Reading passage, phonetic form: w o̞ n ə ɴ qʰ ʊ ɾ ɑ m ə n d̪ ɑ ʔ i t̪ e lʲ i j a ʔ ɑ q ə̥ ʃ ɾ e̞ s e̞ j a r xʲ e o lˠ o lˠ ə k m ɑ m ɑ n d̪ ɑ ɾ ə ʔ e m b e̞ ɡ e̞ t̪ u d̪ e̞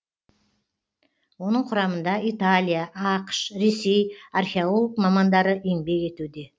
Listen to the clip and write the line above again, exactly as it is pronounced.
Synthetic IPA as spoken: w o̞ n ə ɴ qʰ ʊ ɾ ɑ m ə n d̪ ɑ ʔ i t̪ a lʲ i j a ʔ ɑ q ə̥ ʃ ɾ e̞ s e̞ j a r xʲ e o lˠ o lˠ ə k m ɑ m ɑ n d̪ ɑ ɾ ə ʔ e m b e̞ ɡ e̞ t̪ u d̪ e̞